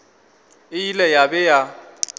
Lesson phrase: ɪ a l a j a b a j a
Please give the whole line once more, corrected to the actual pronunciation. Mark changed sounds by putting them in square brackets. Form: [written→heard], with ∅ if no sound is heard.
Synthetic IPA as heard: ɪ [a→i] l [a→ɛ] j a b [a→ɛ] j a